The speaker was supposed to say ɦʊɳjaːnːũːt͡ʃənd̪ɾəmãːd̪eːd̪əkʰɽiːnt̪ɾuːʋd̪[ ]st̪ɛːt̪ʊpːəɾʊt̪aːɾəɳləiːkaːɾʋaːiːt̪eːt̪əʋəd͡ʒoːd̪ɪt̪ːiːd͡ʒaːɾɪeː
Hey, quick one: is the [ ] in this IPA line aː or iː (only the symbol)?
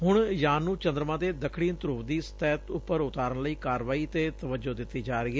iː